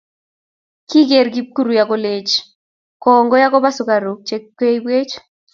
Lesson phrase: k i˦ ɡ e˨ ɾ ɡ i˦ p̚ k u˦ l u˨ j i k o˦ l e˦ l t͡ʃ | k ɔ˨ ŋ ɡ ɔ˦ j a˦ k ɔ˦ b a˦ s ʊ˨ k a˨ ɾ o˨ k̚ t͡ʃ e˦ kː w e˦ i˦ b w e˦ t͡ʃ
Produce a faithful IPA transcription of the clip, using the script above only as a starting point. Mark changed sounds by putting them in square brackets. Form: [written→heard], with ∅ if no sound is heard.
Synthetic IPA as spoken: k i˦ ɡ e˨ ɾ ɡ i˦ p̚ k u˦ [l→ɾ] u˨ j [i→a] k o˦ l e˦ [l→∅] t͡ʃ | k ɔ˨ ŋ ɡ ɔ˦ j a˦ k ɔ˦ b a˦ s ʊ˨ k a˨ ɾ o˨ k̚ t͡ʃ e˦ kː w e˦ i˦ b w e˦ t͡ʃ